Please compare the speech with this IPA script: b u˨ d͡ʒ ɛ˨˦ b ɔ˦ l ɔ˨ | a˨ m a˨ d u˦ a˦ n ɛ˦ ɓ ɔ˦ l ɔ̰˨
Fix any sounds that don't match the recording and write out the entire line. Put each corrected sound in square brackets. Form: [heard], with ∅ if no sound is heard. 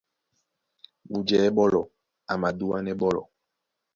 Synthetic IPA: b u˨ d͡ʒ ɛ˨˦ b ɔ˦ l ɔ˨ | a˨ m a˨ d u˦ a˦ n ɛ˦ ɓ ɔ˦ l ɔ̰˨